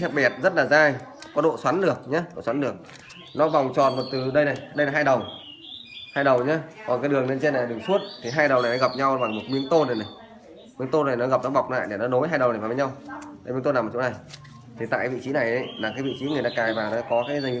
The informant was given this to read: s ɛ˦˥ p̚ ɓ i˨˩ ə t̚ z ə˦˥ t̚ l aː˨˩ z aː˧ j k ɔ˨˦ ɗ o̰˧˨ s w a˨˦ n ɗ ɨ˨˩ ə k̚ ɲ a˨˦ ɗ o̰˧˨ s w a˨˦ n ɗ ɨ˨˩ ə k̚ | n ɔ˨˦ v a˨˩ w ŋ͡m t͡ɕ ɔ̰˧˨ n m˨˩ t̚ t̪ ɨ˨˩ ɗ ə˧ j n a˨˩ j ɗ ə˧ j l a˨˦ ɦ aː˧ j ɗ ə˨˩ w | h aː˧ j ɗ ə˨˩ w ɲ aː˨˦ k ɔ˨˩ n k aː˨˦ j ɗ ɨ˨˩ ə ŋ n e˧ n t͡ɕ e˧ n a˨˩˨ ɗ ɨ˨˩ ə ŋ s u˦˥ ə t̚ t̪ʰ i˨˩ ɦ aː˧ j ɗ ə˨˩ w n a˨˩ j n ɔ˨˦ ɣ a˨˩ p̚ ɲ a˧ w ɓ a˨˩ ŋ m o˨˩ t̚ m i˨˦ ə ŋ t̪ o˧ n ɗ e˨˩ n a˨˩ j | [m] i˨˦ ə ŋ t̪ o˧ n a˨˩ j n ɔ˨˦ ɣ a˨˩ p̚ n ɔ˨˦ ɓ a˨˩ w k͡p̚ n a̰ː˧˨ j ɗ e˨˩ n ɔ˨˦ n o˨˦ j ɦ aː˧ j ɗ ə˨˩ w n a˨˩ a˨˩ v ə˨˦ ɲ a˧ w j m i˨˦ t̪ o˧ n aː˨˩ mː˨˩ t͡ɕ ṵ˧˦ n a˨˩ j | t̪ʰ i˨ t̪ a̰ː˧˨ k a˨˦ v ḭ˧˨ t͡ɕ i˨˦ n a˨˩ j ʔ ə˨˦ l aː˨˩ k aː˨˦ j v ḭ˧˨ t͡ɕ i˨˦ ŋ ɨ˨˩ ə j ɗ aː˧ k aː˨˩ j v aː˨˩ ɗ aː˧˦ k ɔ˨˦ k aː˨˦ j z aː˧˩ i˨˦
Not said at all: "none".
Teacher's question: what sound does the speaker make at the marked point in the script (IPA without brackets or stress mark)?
m